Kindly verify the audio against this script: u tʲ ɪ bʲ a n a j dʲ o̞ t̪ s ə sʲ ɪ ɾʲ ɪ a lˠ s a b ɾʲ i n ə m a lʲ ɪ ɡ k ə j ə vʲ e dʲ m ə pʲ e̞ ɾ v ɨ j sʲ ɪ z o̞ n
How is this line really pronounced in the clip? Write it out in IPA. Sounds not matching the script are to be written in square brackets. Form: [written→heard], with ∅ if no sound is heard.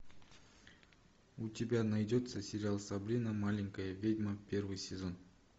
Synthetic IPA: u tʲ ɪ bʲ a n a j dʲ o̞ t̪ s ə sʲ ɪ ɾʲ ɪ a lˠ s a b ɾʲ i n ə m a lʲ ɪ [ɡ→ŋ] k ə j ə vʲ e dʲ m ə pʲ e̞ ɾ v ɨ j sʲ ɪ z o̞ n